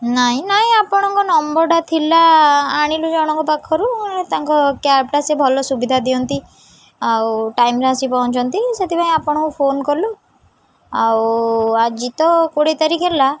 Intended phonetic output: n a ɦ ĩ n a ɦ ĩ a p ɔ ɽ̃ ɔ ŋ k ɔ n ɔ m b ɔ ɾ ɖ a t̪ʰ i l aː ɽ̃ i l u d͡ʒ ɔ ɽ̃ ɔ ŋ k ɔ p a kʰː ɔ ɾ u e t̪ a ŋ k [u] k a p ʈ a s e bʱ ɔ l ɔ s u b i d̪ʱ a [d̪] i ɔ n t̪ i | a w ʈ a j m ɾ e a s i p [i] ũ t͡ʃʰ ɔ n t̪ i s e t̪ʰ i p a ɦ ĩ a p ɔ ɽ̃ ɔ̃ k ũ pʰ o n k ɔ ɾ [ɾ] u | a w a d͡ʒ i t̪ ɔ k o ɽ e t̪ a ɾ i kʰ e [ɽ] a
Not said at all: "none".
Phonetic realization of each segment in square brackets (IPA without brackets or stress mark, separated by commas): ɔ, d̪, a, l, l